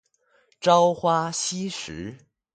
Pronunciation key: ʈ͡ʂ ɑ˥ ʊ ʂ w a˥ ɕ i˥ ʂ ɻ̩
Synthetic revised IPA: ʈ͡ʂ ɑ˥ ʊ x w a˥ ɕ i˥ ʂ ɻ̩